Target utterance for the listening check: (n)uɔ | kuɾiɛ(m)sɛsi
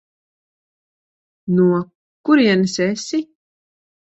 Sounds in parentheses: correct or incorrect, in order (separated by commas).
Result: correct, incorrect